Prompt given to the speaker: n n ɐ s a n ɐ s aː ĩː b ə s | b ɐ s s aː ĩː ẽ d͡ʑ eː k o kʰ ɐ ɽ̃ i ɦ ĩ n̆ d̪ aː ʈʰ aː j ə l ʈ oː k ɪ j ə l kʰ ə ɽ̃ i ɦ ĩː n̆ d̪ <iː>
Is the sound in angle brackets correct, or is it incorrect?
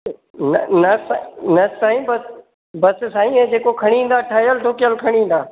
incorrect